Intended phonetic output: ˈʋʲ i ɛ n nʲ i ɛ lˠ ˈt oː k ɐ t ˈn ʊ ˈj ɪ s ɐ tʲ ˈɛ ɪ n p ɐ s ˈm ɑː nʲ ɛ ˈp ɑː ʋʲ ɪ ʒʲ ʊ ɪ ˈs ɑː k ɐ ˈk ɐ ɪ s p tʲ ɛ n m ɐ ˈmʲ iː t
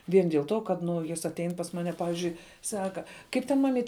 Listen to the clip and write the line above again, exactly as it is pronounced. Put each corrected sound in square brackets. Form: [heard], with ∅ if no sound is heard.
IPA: ˈʋʲ i ɛ n [dʲ] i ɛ lˠ ˈt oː k ɐ t ˈn ʊ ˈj ɪ s ɐ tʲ ˈɛ ɪ n p ɐ s ˈm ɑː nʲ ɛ ˈp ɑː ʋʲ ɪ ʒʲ ʊ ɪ ˈs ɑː k ɐ ˈk ɐ ɪ [∅] p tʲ ɛ n m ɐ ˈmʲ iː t

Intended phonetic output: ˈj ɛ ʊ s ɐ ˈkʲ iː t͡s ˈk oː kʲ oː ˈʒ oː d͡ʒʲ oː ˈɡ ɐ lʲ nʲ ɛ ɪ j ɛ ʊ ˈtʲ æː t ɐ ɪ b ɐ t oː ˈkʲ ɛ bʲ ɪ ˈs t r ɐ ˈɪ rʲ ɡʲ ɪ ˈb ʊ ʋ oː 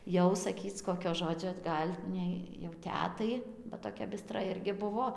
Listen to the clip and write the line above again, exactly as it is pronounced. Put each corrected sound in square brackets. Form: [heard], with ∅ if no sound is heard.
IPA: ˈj ɛ ʊ s ɐ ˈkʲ iː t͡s ˈk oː kʲ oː ˈʒ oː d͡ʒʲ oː ˈɡ ɐ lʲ nʲ ɛ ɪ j ɛ ʊ ˈtʲ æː t ɐ ɪ b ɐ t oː ˈkʲ ɛ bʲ ɪ ˈs t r ɐ ˈɪ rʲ ɡʲ ɪ ˈb ʊ ʋ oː

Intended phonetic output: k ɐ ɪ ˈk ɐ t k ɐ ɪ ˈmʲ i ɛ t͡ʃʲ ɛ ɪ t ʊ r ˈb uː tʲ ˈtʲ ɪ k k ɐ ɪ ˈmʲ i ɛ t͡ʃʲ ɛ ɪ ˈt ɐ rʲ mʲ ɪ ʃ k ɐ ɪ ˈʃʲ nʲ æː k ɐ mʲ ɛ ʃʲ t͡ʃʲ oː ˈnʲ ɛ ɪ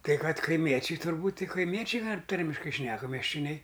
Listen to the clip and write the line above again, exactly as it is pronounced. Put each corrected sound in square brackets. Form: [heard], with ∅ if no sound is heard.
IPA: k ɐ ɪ ˈk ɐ t k ɐ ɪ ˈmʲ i ɛ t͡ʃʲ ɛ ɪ t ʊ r ˈb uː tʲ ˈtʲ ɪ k k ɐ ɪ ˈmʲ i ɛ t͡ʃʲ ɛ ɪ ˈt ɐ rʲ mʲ ɪ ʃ k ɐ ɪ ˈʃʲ nʲ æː k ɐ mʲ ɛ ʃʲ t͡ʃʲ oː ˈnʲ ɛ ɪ

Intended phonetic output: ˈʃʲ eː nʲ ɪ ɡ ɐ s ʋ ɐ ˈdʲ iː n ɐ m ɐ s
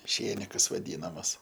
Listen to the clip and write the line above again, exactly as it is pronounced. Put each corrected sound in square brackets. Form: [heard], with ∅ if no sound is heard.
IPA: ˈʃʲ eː nʲ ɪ [k] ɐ s ʋ ɐ ˈdʲ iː n ɐ m ɐ s

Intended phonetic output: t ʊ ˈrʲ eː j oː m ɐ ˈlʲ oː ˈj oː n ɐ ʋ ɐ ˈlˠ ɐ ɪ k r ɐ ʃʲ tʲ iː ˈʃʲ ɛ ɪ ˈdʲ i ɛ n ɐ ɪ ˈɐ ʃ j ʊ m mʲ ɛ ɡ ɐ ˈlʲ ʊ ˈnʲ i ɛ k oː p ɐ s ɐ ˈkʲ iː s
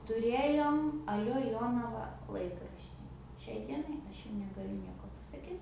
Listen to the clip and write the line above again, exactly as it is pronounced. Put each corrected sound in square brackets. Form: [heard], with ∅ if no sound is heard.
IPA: t ʊ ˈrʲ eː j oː m ɐ ˈlʲ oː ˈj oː n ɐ ʋ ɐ ˈlˠ ɐ ɪ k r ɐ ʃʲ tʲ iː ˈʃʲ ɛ ɪ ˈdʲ i ɛ n ɐ ɪ ˈɐ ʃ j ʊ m [nʲ] ɛ ɡ ɐ ˈlʲ ʊ ˈnʲ i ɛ k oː p ɐ s ɐ ˈkʲ iː [t]

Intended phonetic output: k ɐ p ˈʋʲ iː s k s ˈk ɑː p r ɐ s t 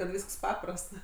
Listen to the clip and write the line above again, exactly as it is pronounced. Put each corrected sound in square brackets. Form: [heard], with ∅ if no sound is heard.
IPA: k ɐ [t] ˈʋʲ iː s k s [ˈp] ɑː p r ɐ s t

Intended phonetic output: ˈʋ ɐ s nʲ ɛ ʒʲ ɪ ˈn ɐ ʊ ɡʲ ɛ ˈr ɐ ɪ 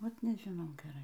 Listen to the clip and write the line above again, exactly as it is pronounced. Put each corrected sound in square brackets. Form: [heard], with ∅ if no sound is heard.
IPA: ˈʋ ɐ [t] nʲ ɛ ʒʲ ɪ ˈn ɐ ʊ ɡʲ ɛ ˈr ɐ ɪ

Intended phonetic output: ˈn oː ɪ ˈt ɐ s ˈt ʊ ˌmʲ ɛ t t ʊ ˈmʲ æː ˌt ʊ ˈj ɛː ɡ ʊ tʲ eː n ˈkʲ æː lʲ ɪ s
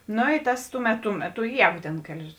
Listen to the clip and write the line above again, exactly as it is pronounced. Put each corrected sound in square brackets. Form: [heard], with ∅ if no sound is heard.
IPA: ˈn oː ɪ ˈt ɐ s ˈt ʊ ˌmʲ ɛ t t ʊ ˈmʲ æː ˌt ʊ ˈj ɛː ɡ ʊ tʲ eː n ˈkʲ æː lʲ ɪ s

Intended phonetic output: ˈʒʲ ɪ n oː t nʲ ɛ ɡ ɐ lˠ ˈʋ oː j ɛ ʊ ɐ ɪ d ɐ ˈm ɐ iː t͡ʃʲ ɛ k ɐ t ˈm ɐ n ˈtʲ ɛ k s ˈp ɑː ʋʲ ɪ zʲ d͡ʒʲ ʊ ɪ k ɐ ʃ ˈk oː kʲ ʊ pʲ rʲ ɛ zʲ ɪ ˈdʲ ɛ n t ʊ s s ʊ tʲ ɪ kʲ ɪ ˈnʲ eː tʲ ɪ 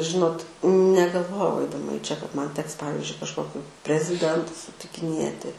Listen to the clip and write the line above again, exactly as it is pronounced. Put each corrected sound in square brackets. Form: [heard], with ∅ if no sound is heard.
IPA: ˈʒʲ ɪ n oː t nʲ ɛ ɡ ɐ lˠ ˈʋ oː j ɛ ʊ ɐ ɪ d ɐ ˈm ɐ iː t͡ʃʲ ɛ k ɐ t ˈm ɐ n ˈtʲ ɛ k s ˈp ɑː ʋʲ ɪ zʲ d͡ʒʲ ʊ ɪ k ɐ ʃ ˈk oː kʲ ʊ pʲ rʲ ɛ zʲ ɪ ˈdʲ ɛ n t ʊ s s ʊ tʲ ɪ kʲ ɪ ˈnʲ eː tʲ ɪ

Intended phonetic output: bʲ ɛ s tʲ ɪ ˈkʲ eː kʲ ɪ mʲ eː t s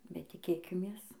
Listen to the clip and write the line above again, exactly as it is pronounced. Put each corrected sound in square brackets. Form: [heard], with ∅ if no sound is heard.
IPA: bʲ ɛ [t] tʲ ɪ ˈkʲ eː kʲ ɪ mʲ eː [∅] s

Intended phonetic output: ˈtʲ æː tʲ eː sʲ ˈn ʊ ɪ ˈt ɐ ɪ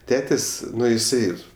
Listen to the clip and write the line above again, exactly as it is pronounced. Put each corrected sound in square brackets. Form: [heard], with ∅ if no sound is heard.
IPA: ˈtʲ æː tʲ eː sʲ ˈn ʊ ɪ [ˈs] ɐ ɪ

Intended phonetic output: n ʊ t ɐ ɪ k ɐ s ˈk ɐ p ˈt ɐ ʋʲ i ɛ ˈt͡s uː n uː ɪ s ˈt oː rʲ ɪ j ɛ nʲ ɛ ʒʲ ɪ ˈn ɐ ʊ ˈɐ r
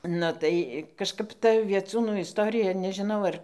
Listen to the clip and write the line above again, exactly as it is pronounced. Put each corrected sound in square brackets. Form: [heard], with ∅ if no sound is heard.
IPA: n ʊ t ɐ ɪ k ɐ [ʃ] ˈk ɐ p ˈt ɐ ʋʲ i ɛ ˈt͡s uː n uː ɪ s ˈt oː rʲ ɪ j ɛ nʲ ɛ ʒʲ ɪ ˈn ɐ ʊ ˈɐ r

